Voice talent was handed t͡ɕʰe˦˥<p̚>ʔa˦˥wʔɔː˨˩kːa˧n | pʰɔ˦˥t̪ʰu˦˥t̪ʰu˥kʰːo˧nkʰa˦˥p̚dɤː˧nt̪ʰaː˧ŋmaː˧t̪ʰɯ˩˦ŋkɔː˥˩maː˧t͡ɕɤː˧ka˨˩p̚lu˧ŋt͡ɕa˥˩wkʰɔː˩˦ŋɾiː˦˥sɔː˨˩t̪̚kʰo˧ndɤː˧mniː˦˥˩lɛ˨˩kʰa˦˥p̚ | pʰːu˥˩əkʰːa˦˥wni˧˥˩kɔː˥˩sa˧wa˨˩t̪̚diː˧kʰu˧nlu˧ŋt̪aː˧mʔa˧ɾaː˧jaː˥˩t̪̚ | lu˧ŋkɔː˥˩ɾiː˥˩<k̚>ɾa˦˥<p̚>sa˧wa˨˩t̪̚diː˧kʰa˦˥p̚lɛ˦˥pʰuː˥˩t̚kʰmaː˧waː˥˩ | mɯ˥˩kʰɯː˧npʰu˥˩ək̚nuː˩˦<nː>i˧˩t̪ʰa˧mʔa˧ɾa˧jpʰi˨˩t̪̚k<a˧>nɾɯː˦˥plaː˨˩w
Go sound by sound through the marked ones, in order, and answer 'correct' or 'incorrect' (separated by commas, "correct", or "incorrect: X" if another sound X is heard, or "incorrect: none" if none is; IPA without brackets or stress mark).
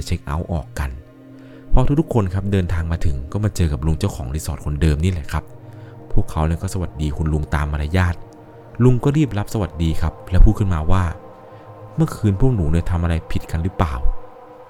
incorrect: k̚, incorrect: p̚, correct, incorrect: n, correct